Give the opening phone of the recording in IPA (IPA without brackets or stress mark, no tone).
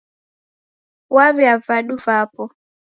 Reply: w